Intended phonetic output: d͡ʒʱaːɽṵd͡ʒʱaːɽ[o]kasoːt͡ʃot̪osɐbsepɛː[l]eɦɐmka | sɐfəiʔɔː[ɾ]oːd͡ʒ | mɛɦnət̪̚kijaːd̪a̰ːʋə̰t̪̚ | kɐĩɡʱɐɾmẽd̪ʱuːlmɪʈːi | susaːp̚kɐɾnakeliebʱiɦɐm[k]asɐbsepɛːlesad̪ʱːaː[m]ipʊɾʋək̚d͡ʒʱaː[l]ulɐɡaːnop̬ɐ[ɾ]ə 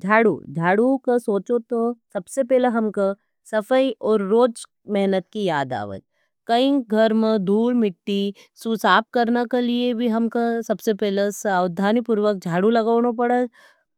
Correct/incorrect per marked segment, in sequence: incorrect, correct, incorrect, correct, incorrect, incorrect, incorrect

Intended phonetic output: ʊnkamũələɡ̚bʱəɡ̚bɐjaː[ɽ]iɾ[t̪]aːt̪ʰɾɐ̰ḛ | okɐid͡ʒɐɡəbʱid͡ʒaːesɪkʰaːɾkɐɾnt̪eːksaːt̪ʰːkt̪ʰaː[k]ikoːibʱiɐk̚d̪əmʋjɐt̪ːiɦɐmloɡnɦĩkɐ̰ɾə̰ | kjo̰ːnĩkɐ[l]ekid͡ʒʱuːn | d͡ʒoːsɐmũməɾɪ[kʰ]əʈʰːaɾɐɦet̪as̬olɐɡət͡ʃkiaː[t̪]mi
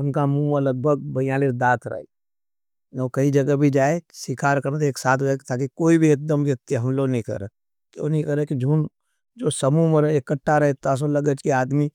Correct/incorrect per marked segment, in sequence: incorrect, incorrect, correct, incorrect, incorrect, incorrect

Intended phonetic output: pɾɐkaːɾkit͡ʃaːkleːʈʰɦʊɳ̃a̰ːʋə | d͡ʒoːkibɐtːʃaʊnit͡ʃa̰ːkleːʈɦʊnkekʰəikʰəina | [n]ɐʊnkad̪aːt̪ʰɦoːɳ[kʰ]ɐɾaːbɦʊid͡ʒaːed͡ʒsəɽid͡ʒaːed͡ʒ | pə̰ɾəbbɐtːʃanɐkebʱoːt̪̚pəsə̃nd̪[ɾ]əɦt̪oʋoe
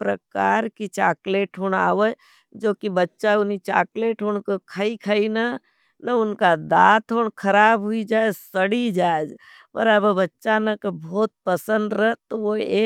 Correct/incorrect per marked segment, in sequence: correct, correct, correct

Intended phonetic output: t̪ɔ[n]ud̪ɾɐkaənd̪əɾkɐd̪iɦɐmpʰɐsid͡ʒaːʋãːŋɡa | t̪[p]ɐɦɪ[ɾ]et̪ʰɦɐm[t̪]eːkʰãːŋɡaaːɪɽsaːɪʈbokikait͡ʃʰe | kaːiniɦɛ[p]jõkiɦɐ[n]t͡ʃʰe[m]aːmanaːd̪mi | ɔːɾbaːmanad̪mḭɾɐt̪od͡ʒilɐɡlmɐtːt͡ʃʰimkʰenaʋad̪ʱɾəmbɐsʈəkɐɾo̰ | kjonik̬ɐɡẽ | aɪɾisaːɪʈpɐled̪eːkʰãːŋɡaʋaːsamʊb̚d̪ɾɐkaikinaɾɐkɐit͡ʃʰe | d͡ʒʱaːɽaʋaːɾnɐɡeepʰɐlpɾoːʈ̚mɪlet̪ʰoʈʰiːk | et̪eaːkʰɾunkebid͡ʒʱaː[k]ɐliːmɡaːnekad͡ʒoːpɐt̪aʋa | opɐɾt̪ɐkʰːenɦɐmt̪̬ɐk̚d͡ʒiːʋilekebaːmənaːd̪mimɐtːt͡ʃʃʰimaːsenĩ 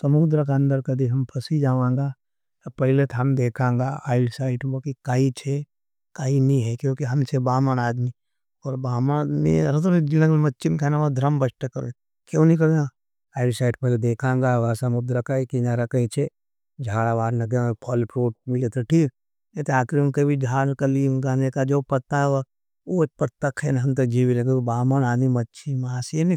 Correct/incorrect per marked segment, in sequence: incorrect, correct, incorrect, incorrect, incorrect, incorrect, incorrect, correct

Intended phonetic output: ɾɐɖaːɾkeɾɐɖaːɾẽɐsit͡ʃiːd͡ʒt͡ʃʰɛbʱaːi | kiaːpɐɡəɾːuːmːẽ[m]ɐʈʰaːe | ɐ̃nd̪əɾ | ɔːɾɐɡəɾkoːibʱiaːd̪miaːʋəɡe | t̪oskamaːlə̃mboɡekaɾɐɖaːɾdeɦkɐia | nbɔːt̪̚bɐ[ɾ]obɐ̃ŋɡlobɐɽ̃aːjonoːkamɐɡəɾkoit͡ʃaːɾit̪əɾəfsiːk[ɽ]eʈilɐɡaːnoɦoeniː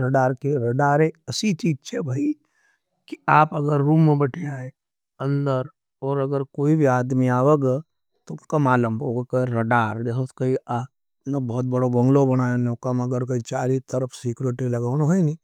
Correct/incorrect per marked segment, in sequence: incorrect, incorrect, incorrect

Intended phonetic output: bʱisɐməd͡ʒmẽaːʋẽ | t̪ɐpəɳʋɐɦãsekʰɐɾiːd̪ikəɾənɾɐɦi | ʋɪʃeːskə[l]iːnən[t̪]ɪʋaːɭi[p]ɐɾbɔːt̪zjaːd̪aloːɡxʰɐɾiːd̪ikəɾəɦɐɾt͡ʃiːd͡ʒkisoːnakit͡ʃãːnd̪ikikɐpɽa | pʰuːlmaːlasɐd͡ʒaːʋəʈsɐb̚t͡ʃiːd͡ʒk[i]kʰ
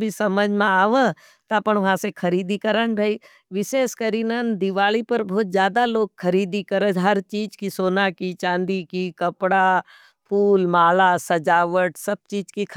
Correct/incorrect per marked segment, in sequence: incorrect, incorrect, correct, correct

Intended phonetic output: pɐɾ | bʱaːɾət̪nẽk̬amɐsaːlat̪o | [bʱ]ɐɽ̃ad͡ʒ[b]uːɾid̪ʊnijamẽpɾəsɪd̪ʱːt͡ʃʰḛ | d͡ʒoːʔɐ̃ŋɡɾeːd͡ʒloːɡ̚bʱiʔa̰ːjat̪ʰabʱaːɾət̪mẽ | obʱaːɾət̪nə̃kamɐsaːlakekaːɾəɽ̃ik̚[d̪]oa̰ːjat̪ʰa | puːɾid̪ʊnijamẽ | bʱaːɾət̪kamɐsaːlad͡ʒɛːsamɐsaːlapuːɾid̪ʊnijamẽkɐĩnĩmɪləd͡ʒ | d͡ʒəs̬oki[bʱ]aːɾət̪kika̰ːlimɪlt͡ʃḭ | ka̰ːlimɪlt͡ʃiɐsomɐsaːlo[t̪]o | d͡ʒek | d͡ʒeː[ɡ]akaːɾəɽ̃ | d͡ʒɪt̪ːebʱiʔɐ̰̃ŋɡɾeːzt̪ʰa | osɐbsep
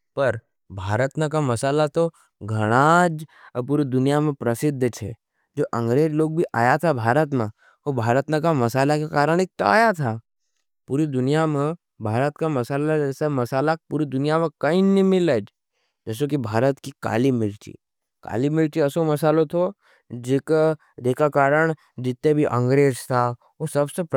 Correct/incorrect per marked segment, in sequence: incorrect, incorrect, incorrect, correct, incorrect, incorrect

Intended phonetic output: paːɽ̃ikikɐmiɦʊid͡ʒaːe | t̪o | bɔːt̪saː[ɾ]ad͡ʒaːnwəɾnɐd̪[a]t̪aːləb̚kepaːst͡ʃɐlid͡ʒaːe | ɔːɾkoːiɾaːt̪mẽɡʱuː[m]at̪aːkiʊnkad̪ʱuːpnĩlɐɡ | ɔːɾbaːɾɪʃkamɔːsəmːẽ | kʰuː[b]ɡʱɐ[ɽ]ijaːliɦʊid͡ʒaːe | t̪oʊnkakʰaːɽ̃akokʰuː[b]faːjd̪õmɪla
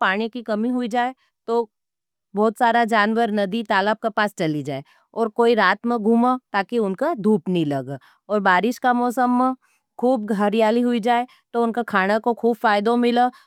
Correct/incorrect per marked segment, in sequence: correct, incorrect, correct, correct, incorrect, correct

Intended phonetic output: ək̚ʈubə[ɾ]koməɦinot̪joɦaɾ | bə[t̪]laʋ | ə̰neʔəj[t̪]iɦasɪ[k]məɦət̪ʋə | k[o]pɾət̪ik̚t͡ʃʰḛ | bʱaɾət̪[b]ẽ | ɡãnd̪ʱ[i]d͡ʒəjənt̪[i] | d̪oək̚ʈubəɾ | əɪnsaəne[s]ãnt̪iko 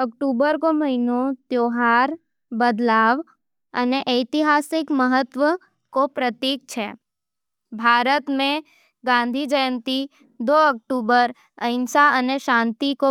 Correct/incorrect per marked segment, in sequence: correct, incorrect, correct, correct, correct, incorrect, correct, correct, incorrect

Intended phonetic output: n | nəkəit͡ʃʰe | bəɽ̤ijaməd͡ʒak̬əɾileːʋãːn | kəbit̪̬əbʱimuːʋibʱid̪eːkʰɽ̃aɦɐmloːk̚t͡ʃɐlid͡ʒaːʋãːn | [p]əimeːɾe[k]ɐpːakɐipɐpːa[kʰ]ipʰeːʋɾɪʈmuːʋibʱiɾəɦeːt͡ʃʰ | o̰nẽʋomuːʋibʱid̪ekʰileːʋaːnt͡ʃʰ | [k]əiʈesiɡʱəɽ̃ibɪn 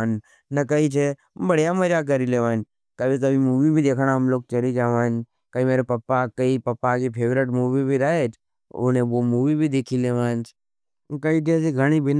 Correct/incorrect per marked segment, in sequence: incorrect, incorrect, incorrect, correct

